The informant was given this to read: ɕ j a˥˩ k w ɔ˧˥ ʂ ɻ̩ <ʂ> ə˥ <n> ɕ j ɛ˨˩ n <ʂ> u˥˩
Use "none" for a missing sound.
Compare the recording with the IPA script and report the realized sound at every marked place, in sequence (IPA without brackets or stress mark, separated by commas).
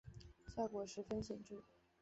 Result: f, n, ʈ͡ʂ